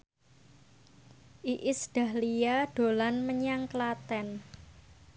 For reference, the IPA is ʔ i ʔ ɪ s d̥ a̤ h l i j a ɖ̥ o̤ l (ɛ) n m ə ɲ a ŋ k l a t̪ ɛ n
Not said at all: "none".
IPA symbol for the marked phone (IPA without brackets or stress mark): a